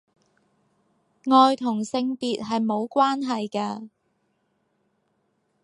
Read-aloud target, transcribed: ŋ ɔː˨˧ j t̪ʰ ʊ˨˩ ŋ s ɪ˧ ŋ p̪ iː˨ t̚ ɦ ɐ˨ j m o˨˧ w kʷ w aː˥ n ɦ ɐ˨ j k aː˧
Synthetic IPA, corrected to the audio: ŋ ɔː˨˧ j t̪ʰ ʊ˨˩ ŋ s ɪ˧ ŋ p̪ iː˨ t̚ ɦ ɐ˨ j m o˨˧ w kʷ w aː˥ n ɦ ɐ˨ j k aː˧